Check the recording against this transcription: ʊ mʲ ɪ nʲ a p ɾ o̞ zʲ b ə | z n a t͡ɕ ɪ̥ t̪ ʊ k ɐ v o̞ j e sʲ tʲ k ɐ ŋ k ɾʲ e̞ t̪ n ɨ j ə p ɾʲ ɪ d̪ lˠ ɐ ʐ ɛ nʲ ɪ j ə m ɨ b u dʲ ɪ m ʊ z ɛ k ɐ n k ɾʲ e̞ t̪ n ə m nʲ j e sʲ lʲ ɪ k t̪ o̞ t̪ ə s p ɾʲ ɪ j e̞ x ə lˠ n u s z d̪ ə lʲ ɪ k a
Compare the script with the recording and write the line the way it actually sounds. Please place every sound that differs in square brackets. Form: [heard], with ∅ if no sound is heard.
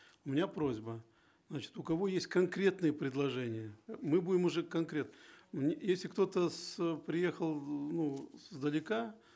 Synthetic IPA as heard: ʊ mʲ ɪ nʲ a p ɾ o̞ zʲ b ə | z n a t͡ɕ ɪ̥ t̪ ʊ k ɐ v o̞ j e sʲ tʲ k ɐ [n] k ɾʲ e̞ t̪ n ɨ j ə p ɾʲ ɪ d̪ lˠ ɐ ʐ ɛ nʲ ɪ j ə m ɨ b u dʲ ɪ m ʊ [ʐ] ɛ k ɐ n k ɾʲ e̞ t̪ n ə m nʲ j e sʲ lʲ ɪ k t̪ o̞ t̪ ə s p ɾʲ ɪ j e̞ x ə lˠ n u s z d̪ ə lʲ ɪ k a

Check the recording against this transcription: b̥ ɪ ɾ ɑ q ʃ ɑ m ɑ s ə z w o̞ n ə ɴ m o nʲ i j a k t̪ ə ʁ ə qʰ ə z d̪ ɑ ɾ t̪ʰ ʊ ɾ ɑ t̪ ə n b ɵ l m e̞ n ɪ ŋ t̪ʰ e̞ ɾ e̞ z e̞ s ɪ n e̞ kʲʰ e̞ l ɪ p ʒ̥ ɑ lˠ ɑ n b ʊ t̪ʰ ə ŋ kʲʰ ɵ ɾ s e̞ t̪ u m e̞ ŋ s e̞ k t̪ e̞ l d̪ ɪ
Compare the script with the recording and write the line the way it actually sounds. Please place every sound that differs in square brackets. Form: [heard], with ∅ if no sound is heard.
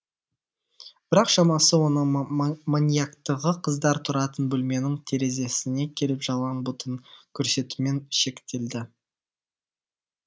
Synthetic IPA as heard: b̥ ɪ ɾ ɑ q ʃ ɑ m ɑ s ə [∅] w o̞ n ə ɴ m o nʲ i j a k t̪ ə ʁ ə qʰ ə z d̪ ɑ ɾ t̪ʰ ʊ ɾ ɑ t̪ ə n b ɵ l m e̞ n ɪ ŋ t̪ʰ e̞ ɾ e̞ z e̞ s ɪ n e̞ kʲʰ e̞ l ɪ p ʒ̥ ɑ lˠ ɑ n b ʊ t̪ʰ ə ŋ kʲʰ ɵ ɾ s e̞ t̪ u m e̞ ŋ [ʃ] e̞ k t̪ e̞ l d̪ ɪ

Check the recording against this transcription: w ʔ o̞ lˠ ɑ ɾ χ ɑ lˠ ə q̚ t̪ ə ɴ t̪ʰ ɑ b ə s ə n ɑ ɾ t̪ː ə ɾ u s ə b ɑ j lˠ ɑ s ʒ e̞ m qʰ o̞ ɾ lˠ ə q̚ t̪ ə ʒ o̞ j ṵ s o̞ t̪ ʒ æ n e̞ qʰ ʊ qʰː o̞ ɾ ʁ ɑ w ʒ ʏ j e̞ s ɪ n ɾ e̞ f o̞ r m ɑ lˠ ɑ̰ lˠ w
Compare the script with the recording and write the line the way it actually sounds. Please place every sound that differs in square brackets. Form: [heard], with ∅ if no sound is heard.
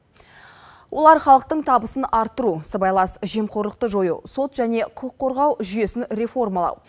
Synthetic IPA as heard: w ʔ o̞ lˠ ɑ ɾ χ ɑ lˠ ə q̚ t̪ ə ɴ t̪ʰ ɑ b ə s ə n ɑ ɾ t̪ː ə ɾ u s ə b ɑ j lˠ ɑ s ʒ e̞ m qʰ o̞ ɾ lˠ ə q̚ t̪ ə ʒ o̞ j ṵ s o̞ t̪ ʒ æ n e̞ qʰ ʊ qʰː o̞ ɾ ʁ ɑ w ʒ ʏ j e̞ s ɪ n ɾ e̞ f o̞ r m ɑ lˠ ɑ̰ [∅] w

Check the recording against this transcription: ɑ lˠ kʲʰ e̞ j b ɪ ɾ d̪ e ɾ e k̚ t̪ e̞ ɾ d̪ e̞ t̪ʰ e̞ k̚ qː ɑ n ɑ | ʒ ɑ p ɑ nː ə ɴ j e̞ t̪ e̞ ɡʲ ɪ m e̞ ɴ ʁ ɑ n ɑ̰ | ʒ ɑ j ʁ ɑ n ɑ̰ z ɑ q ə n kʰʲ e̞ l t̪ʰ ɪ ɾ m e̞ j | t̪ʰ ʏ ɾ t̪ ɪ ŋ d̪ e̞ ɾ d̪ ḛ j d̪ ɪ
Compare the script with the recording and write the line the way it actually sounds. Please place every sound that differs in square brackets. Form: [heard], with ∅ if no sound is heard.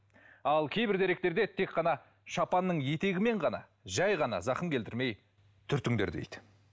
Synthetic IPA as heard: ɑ lˠ kʲʰ e̞ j b ɪ ɾ d̪ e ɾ e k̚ t̪ e̞ ɾ d̪ e̞ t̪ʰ e̞ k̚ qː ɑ n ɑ | [ʃ] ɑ p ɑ nː ə ɴ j e̞ t̪ e̞ ɡʲ ɪ m e̞ ɴ ʁ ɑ n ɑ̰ | ʒ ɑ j ʁ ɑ n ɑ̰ z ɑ q ə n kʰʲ e̞ l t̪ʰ ɪ ɾ m e̞ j | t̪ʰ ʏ ɾ t̪ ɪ ŋ d̪ e̞ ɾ d̪ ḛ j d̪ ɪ

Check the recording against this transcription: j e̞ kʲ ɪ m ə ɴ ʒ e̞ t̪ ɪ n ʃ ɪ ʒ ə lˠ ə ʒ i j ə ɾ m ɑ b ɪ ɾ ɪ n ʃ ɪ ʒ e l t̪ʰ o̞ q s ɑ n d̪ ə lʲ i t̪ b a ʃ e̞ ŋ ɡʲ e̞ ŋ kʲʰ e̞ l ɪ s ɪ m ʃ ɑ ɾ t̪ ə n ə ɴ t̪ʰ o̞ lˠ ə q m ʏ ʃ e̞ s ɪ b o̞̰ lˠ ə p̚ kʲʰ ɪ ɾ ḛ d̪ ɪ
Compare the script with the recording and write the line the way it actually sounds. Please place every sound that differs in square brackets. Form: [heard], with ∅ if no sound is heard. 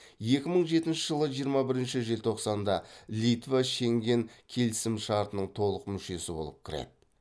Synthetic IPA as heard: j e̞ kʲ ɪ m ə ɴ ʒ e̞ t̪ ɪ n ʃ ɪ ʒ ə lˠ ə ʒ i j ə ɾ m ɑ b ɪ ɾ ɪ n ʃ ɪ ʒ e l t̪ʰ o̞ q s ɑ n d̪ [ɑ] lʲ i t̪ [v] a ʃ e̞ ŋ ɡʲ e̞ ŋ kʲʰ e̞ l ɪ s ɪ m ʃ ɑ ɾ t̪ ə n ə ɴ t̪ʰ o̞ lˠ ə q m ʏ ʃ e̞ s ɪ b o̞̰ lˠ ə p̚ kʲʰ ɪ ɾ ḛ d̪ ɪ

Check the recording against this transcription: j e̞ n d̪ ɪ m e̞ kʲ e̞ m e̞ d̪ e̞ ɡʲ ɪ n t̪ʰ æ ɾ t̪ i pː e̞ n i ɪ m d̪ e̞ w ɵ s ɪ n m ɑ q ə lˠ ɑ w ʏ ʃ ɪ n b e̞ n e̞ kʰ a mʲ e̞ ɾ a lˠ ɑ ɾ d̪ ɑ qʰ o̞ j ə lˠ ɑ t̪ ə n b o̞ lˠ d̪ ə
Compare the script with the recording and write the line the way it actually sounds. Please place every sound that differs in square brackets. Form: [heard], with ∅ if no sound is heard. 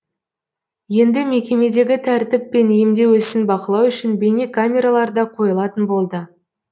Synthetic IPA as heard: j e̞ n d̪ ɪ m e̞ kʲ e̞ m e̞ d̪ e̞ ɡʲ ɪ [∅] t̪ʰ æ ɾ t̪ [ɪ] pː e̞ n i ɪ m d̪ e̞ w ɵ s ɪ n [b] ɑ q ə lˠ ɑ w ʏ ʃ ɪ n b e̞ n e̞ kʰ a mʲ e̞ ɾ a lˠ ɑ ɾ d̪ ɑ qʰ o̞ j ə lˠ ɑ t̪ ə n b o̞ lˠ d̪ ə

